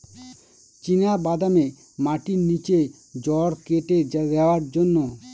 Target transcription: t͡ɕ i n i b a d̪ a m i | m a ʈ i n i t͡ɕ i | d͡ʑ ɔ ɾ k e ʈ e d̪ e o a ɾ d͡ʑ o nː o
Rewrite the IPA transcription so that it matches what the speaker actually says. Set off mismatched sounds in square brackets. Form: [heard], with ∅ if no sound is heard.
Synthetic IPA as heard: t͡ɕ i n [a] b a d̪ a m [e] | m a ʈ i n i t͡ɕ [e] | d͡ʑ ɔ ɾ k e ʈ e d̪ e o a ɾ d͡ʑ o nː o